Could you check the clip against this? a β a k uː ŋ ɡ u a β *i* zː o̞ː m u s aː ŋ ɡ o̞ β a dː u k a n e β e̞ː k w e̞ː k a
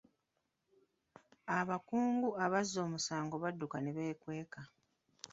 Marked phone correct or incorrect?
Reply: incorrect